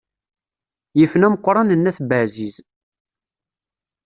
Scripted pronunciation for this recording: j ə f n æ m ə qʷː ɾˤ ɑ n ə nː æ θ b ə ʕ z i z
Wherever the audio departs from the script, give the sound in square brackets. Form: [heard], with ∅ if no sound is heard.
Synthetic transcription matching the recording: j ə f n æ m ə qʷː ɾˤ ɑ n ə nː æ θ b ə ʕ z i z